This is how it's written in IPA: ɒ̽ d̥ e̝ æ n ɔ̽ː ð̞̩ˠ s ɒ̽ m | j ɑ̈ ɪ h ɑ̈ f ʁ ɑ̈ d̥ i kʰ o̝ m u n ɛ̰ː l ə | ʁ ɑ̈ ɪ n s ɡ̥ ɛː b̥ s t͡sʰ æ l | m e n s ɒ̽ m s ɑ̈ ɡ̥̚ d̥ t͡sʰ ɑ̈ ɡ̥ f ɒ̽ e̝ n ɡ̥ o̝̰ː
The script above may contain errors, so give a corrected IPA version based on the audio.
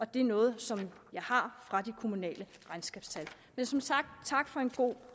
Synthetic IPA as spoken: ɒ̽ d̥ e̝ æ n ɔ̽ː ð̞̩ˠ s ɒ̽ m | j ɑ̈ ɪ h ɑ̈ f ʁ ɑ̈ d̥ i kʰ o̝ m u n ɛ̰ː l ə | ʁ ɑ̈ ɪ n s ɡ̥ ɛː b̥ s t͡sʰ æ l | m e n s ɒ̽ m s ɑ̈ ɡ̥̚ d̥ t͡sʰ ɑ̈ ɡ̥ f ɒ̽ e̝ n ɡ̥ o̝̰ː